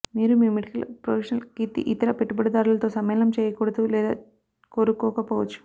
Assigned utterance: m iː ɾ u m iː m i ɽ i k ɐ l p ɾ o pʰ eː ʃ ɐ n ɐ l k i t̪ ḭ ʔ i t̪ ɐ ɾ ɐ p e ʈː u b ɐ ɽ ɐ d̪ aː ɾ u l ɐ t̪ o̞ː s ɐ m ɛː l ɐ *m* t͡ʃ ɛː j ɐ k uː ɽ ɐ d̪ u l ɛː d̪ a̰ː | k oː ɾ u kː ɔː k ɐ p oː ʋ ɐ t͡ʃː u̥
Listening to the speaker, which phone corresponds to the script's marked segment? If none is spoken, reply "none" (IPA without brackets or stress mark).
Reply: m